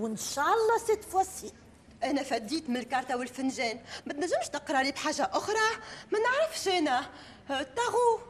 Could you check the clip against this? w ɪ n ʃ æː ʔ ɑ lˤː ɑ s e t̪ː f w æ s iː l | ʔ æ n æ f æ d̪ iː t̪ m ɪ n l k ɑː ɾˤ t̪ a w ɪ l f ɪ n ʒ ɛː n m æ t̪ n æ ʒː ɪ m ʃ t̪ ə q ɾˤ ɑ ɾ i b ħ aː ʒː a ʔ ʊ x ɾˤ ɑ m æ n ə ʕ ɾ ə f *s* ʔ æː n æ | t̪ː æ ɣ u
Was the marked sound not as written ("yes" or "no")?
yes